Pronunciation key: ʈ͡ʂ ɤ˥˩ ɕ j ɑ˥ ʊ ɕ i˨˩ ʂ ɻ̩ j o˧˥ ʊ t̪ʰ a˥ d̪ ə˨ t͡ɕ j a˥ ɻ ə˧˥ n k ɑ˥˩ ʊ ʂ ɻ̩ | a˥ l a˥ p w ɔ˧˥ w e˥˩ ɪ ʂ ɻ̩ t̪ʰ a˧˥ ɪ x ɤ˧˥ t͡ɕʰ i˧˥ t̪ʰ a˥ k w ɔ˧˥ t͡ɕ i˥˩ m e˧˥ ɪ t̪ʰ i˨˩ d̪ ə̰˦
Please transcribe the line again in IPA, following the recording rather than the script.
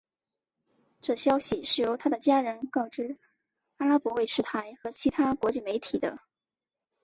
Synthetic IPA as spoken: ʈ͡ʂ ɤ˥˩ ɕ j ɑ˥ ʊ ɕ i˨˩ ʂ ɻ̩ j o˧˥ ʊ t̪ʰ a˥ d̪ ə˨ t͡ɕ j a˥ ɻ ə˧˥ n k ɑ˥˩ ʊ ʈ͡ʂ ɻ̩ | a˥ l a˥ p w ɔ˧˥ w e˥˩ ɪ ʂ ɻ̩ t̪ʰ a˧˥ ɪ x ɤ˧˥ t͡ɕʰ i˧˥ t̪ʰ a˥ k w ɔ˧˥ t͡ɕ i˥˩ m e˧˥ ɪ t̪ʰ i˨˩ d̪ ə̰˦

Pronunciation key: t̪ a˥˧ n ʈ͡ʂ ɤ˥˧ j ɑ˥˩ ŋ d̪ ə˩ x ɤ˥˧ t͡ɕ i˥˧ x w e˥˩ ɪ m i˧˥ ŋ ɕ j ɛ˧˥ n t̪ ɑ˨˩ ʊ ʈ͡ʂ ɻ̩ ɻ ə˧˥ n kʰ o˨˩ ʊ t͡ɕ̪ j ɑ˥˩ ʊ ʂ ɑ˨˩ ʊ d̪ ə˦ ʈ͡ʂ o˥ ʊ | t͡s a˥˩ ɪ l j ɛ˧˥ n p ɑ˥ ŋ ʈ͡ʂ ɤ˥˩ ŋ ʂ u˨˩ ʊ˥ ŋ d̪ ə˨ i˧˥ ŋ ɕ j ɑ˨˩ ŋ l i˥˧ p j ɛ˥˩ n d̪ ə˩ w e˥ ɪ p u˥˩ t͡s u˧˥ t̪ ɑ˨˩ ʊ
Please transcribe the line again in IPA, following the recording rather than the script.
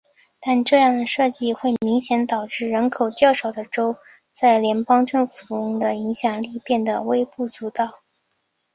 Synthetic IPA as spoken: t̪ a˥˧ n ʈ͡ʂ ɤ˥˧ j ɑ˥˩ ŋ d̪ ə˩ ʂ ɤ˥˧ t͡ɕ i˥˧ x w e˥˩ ɪ m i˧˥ ŋ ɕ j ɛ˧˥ n t̪ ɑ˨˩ ʊ ʈ͡ʂ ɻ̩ ɻ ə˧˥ n kʰ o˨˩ ʊ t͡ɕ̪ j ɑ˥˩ ʊ ʂ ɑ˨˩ ʊ d̪ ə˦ ʈ͡ʂ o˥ ʊ | t͡s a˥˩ ɪ l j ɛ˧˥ n p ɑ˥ ŋ ʈ͡ʂ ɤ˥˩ ŋ f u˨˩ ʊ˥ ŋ d̪ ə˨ i˧˥ ŋ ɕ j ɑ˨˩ ŋ l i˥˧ p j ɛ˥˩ n d̪ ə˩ w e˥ ɪ p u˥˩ t͡s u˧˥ t̪ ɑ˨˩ ʊ

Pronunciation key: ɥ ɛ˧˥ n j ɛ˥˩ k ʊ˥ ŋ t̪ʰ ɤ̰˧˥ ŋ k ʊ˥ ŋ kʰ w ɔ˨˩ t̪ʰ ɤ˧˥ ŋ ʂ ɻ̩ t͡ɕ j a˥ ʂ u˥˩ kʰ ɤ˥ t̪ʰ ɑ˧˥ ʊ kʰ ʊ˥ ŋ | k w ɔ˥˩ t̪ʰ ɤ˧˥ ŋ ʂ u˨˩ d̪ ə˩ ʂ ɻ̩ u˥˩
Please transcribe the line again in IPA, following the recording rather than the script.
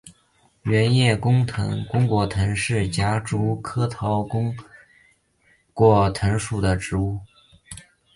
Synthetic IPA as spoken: ɥ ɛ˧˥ n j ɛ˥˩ k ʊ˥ ŋ t̪ʰ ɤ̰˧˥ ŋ k ʊ˥ ŋ k w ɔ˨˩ t̪ʰ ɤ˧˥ ŋ ʂ ɻ̩ t͡ɕ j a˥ ʈ͡ʂ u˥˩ kʰ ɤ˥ t̪ʰ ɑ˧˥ ʊ k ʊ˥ ŋ | k w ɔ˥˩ t̪ʰ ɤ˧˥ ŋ ʂ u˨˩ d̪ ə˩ ʈ͡ʂ ɻ̩ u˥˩

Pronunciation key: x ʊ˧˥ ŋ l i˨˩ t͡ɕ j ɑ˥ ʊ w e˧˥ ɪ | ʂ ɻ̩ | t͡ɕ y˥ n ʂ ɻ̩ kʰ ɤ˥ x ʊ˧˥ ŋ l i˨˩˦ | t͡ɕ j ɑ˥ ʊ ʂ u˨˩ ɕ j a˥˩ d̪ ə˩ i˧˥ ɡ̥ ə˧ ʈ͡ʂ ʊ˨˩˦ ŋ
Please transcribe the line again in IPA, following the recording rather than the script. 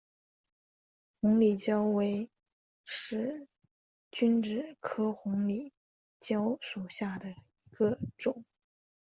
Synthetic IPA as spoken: x ʊ˧˥ ŋ l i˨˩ t͡ɕ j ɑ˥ ʊ w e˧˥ ɪ | ʂ ɻ̩ | t͡ɕ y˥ n ʈ͡ʂ ɻ̩ kʰ ɤ˥ x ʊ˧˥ ŋ l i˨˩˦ | t͡ɕ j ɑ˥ ʊ ʂ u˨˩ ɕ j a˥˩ d̪ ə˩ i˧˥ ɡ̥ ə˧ ʈ͡ʂ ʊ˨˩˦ ŋ

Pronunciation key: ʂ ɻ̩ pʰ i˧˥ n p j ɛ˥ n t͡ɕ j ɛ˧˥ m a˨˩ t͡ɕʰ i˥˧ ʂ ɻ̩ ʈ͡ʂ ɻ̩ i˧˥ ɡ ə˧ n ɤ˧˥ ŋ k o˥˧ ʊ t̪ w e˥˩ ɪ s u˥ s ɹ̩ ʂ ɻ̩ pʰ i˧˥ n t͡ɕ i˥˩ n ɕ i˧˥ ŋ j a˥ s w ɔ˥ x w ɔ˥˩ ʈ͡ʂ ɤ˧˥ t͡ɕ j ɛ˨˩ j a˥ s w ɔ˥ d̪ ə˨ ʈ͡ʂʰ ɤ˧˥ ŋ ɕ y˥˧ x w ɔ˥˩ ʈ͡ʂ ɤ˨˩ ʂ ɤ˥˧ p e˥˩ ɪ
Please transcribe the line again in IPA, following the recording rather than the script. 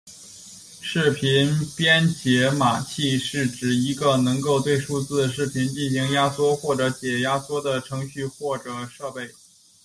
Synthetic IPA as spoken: ʂ ɻ̩ pʰ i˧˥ n p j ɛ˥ n t͡ɕ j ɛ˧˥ m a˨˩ t͡ɕʰ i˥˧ ʂ ɻ̩ ʈ͡ʂ ɻ̩ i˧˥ ɡ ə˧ n ɤ˧˥ ŋ k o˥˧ ʊ t̪ w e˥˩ ɪ ʂ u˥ t͡s ɹ̩ ʂ ɻ̩ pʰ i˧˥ n t͡ɕ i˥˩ n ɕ i˧˥ ŋ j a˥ s w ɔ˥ x w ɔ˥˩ ʈ͡ʂ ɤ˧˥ t͡ɕ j ɛ˨˩ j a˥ s w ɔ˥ d̪ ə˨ ʈ͡ʂʰ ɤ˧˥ ŋ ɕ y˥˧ x w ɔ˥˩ ʈ͡ʂ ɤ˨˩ ʂ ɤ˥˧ p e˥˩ ɪ

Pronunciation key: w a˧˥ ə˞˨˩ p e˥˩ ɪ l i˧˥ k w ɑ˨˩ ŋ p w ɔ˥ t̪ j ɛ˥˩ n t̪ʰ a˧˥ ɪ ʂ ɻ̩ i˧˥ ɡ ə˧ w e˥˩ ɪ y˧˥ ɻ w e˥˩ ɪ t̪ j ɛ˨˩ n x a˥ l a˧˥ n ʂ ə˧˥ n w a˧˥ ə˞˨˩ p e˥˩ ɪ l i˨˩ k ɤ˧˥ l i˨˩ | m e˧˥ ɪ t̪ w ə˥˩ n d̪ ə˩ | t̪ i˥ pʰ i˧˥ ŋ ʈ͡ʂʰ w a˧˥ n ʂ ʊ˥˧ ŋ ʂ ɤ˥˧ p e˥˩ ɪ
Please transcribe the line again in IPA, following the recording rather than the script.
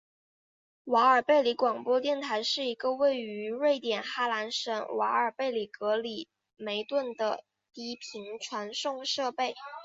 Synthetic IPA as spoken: w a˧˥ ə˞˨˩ p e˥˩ ɪ l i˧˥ k w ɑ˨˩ ŋ p w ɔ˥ t̪ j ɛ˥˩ n t̪ʰ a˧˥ ɪ ʂ ɻ̩ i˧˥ ɡ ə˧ w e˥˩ ɪ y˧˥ ɻ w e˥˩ ɪ t̪ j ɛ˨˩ n x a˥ l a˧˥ n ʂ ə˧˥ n w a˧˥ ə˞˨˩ p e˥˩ ɪ l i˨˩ k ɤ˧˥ l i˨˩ | m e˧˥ ɪ t̪ w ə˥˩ n d̪ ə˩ | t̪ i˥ pʰ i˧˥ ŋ ʈ͡ʂʰ w a˧˥ n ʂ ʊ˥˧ ŋ ʂ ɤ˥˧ p e˥˩ ɪ

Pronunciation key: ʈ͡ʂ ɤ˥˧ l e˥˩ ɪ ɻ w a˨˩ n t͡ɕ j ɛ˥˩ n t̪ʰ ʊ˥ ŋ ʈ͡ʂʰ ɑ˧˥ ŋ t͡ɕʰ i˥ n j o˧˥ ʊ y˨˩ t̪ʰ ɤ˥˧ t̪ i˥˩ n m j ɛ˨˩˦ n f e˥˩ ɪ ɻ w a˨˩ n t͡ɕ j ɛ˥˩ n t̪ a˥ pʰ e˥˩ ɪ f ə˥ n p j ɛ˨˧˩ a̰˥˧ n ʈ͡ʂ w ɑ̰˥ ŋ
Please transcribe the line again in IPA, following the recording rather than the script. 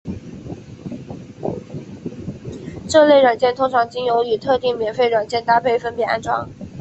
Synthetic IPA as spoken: ʈ͡ʂ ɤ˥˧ l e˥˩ ɪ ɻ w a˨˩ n t͡ɕ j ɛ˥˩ n t̪ʰ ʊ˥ ŋ ʈ͡ʂʰ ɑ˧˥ ŋ t͡ɕ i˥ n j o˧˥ ʊ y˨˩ t̪ʰ ɤ˥˧ t̪ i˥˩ ŋ m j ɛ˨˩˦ n f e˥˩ ɪ ɻ w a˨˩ n t͡ɕ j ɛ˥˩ n t̪ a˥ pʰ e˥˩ ɪ f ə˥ n p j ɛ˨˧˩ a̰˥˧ n ʈ͡ʂ w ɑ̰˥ ŋ

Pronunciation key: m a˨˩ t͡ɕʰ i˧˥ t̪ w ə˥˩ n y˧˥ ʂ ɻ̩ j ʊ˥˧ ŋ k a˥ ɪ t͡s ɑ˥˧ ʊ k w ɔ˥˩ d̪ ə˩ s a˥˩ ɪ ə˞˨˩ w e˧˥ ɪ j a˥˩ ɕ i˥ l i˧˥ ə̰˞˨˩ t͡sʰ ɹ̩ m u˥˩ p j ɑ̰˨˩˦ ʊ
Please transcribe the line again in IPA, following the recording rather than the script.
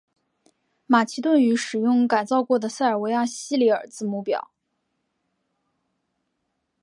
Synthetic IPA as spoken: m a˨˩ t͡ɕʰ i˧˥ t̪ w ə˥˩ n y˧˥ ʂ ɻ̩ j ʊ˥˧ ŋ k a˨˩ ɪ t͡s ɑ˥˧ ʊ k w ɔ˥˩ d̪ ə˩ s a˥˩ ɪ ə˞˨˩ w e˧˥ ɪ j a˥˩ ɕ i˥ l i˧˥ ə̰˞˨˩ t͡s ɹ̩ m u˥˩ p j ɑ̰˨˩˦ ʊ

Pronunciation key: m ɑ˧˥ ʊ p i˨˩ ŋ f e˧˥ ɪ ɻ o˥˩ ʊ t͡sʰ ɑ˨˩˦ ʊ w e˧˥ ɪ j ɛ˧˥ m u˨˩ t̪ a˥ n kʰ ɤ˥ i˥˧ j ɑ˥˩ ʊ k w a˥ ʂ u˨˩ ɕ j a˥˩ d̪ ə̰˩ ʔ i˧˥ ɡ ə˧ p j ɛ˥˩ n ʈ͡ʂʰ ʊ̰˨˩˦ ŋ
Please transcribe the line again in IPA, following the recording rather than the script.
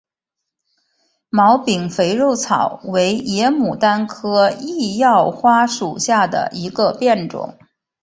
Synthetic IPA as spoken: m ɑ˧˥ ʊ p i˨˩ ŋ f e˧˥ ɪ ɻ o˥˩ ʊ t͡sʰ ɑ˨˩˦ ʊ w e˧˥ ɪ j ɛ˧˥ m u˨˩ t̪ a˥ n kʰ ɤ˥ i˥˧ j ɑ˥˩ ʊ x w a˥ ʂ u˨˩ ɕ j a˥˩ d̪ ə̰˩ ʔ i˧˥ ɡ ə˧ p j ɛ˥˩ n ʈ͡ʂ ʊ̰˨˩˦ ŋ

